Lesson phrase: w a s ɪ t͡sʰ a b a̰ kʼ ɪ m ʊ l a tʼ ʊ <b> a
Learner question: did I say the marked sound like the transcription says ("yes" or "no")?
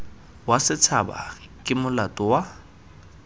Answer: no